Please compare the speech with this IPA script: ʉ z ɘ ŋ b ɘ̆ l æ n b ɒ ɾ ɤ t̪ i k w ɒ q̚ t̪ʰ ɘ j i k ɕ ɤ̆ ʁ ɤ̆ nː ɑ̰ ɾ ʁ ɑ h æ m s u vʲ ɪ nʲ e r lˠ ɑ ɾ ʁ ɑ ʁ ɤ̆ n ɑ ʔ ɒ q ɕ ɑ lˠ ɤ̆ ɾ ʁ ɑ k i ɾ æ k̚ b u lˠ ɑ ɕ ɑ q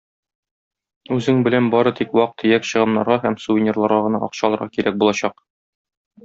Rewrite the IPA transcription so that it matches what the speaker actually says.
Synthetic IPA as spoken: ʉ z ɘ ŋ b ɘ̆ l æ n b ɒ ɾ ɤ t̪ i k w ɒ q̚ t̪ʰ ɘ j æ k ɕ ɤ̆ ʁ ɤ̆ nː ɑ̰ ɾ ʁ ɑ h æ m s u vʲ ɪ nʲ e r lˠ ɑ ɾ ʁ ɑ ʁ ɤ̆ n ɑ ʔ ɒ q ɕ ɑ lˠ ɤ̆ ɾ ʁ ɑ k i ɾ æ k̚ b u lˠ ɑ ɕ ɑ q